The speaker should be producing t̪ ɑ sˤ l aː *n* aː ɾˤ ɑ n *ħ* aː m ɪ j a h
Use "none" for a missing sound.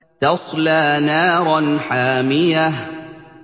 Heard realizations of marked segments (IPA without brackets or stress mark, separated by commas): n, ħ